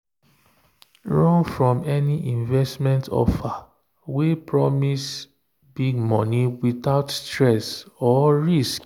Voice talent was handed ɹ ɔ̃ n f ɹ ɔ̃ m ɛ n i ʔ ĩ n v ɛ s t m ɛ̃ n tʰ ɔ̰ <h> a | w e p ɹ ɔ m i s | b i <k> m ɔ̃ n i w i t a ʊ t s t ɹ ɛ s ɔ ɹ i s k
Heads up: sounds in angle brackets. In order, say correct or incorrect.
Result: incorrect: f, incorrect: ɡ

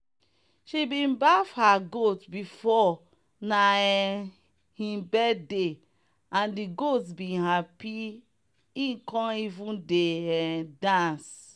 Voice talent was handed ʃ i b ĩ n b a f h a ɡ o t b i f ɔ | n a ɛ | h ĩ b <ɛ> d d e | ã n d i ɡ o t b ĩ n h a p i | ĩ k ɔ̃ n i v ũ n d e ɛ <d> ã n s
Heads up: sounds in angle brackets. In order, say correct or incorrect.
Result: correct, correct

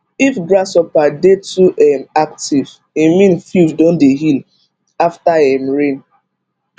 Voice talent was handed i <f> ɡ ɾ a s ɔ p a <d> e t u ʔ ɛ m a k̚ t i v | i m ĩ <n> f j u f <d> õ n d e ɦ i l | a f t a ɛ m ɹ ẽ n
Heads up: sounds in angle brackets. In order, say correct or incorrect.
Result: correct, correct, correct, correct

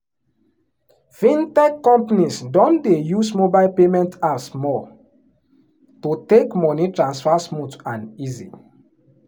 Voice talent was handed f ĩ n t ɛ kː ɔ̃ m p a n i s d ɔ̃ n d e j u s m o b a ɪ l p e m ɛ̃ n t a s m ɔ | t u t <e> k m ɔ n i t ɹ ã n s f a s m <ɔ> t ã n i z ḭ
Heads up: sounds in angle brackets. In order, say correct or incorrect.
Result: correct, incorrect: u

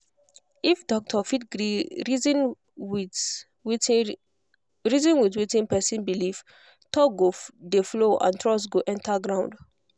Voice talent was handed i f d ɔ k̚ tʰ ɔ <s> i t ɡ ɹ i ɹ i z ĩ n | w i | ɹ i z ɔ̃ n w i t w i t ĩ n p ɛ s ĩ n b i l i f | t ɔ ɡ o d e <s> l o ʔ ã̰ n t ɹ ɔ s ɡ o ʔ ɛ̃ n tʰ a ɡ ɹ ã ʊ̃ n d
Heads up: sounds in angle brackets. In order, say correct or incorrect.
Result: incorrect: f, incorrect: f

